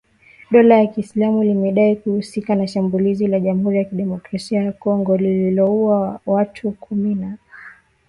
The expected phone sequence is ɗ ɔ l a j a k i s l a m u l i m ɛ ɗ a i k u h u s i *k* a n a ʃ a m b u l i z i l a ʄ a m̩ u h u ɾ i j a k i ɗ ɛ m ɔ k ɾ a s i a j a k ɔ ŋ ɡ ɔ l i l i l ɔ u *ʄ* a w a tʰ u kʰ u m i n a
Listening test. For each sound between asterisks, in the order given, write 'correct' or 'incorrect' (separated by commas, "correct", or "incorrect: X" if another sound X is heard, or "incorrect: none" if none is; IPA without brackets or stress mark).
correct, incorrect: none